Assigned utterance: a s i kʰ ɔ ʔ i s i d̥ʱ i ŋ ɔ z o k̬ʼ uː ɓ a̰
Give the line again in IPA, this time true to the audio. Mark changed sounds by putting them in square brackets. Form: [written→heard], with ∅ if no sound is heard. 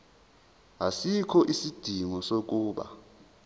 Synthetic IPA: a s i kʰ ɔ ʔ i s i d̥ʱ i ŋ ɔ [z→s] o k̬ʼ uː ɓ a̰